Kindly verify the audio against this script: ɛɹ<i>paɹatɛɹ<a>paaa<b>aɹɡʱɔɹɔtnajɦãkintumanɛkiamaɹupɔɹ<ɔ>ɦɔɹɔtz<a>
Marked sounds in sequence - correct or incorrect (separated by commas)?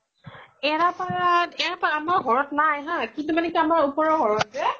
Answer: incorrect, correct, incorrect, correct, incorrect